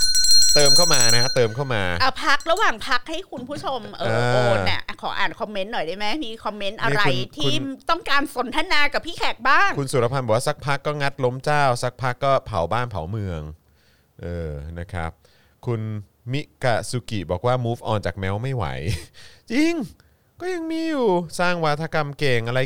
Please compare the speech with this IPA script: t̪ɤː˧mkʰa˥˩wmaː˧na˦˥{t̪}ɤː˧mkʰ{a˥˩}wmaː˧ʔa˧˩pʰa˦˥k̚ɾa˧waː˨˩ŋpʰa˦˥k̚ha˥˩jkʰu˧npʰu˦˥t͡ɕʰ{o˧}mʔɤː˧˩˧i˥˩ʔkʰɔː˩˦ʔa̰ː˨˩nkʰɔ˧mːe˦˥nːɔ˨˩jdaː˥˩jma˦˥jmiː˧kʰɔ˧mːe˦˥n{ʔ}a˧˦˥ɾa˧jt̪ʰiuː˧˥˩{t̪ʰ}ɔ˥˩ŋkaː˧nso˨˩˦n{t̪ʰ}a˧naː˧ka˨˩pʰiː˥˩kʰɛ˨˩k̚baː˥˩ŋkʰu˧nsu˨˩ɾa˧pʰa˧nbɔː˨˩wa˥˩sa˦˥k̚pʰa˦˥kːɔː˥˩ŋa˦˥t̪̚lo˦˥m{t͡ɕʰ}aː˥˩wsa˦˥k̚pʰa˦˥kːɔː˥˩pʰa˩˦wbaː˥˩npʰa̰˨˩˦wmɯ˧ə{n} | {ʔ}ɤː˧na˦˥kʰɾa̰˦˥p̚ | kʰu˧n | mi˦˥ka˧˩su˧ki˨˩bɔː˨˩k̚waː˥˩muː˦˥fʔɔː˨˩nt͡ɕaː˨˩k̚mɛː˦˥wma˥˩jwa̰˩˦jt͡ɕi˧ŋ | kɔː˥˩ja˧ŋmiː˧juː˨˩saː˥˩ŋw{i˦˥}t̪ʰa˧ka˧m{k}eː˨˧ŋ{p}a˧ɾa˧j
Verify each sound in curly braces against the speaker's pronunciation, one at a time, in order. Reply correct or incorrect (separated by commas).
correct, correct, correct, correct, incorrect, correct, incorrect, incorrect, correct, incorrect, correct, incorrect